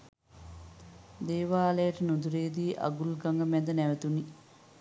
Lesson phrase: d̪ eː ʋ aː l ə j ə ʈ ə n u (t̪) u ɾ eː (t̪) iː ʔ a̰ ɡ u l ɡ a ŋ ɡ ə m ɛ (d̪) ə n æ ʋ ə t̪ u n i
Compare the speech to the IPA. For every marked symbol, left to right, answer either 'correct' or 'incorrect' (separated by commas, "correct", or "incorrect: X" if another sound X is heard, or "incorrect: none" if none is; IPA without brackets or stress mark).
incorrect: d̪, incorrect: d̪, correct